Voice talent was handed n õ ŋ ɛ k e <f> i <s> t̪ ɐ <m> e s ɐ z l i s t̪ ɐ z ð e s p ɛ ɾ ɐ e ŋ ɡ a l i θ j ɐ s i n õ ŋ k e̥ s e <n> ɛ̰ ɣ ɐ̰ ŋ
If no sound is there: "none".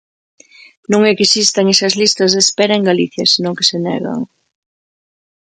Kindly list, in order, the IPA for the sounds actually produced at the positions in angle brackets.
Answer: s, s, ŋ, n

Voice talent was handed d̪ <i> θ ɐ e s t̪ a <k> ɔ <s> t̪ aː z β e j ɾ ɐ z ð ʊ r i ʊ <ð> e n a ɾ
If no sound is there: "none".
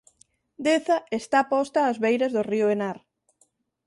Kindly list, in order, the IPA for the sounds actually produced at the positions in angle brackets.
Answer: e, p, s, none

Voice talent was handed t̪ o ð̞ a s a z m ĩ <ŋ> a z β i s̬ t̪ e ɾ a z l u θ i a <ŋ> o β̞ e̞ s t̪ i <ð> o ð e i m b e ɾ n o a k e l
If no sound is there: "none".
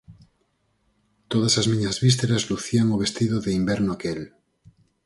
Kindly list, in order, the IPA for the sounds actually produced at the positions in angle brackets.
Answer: ɲ, ŋ, ð

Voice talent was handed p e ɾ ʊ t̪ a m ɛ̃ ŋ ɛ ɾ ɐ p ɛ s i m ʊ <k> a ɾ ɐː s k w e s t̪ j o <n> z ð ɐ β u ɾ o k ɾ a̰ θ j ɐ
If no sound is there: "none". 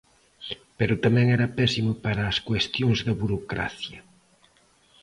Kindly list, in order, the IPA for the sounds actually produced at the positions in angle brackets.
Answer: p, ŋ

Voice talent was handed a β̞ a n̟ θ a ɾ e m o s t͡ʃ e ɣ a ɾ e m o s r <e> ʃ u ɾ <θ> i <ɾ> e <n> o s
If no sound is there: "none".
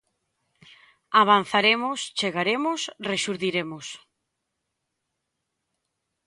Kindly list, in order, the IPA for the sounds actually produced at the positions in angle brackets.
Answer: e, ð, ɾ, m

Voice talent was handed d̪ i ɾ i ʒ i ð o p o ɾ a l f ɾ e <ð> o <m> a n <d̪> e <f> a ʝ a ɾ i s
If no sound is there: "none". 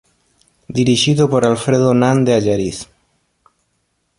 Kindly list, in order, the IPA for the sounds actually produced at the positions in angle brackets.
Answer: ð, n, d̪, none

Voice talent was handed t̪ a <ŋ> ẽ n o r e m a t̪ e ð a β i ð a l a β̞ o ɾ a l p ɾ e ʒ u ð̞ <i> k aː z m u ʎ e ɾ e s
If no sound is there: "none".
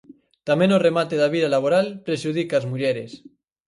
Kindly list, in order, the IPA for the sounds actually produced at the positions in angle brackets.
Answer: m, i

